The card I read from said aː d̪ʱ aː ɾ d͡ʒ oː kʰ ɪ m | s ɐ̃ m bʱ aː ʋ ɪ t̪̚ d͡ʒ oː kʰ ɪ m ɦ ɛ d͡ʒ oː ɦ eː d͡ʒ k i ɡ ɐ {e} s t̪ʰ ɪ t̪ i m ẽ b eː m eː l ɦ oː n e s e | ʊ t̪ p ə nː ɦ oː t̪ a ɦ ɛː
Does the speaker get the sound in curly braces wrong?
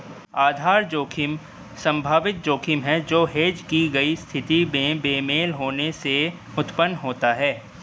yes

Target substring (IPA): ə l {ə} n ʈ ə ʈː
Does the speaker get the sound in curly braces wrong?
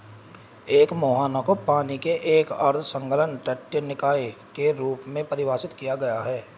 no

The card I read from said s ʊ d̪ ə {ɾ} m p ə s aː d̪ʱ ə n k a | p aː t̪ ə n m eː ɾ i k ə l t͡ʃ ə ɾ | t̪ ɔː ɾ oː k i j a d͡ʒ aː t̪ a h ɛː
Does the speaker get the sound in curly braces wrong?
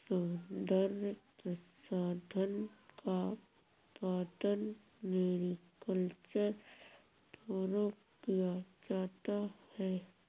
no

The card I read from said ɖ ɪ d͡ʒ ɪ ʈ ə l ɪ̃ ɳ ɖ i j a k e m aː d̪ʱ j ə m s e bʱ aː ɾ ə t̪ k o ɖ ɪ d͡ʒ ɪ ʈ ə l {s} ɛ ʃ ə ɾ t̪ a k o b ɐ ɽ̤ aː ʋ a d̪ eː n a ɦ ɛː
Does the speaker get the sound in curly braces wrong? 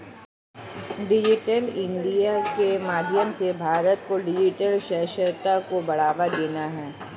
yes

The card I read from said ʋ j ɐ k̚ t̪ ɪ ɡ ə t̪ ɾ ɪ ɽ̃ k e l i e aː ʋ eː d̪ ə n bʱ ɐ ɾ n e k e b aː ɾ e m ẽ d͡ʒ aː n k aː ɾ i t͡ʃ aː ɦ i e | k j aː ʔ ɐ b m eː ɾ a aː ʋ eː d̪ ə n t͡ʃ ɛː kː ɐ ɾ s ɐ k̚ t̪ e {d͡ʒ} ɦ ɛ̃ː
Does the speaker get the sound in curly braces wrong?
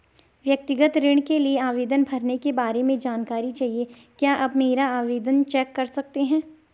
yes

